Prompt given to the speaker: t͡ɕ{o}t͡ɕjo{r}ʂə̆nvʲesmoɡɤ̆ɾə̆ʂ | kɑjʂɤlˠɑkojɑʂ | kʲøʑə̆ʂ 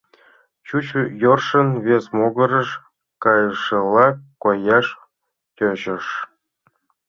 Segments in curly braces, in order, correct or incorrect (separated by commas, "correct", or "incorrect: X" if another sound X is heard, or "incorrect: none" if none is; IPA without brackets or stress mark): incorrect: u, correct